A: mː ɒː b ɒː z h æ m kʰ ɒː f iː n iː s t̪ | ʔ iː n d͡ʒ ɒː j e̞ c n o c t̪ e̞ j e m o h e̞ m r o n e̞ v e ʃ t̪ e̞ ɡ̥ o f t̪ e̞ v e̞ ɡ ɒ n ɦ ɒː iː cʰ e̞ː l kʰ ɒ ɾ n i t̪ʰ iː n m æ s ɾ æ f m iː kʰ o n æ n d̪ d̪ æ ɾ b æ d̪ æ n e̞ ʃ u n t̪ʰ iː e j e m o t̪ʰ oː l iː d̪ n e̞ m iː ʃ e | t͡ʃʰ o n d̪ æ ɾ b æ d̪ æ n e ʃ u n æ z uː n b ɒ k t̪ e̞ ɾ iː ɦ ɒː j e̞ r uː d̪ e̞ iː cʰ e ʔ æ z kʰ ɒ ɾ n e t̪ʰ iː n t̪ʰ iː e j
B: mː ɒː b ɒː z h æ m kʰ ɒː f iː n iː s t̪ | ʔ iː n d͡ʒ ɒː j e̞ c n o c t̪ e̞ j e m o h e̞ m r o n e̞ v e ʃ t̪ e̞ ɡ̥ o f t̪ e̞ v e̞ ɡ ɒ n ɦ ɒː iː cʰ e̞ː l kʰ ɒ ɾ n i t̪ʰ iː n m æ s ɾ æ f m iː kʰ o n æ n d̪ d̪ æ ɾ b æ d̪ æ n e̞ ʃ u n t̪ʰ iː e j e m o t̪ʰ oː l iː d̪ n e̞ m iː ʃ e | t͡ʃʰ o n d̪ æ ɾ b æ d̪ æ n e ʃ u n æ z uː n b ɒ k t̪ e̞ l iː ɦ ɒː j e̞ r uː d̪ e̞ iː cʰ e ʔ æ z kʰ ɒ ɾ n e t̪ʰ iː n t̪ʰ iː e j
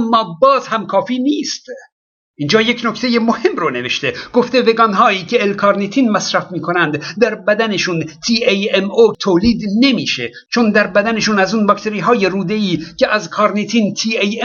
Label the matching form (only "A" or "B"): A